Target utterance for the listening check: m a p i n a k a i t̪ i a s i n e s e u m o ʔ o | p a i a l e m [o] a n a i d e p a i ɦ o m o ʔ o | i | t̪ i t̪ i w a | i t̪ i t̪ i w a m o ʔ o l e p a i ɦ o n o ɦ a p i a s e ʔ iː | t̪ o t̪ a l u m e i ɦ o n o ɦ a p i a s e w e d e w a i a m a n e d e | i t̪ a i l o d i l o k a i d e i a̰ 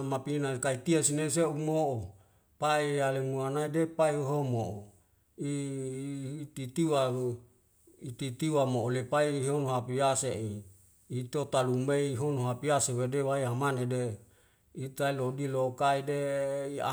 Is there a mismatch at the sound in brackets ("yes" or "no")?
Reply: yes